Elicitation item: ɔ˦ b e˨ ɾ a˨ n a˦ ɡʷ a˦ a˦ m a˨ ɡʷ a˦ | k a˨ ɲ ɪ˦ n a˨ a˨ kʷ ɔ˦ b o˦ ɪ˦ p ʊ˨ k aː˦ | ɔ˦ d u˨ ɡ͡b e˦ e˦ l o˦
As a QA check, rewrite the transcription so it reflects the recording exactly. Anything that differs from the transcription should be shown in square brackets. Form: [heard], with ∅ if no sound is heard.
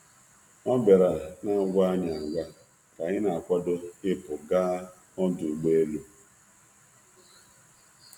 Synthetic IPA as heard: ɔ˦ b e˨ ɾ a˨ n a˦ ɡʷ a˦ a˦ [ɲ] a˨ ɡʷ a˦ | k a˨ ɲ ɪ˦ n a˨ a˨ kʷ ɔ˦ [d] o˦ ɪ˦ p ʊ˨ [ɡ] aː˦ | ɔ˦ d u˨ ɡ͡b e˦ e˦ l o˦